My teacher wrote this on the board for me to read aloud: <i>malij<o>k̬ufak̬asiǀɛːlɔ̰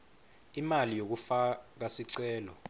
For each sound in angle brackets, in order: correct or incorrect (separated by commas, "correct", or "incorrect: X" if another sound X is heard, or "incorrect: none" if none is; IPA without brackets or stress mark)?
correct, correct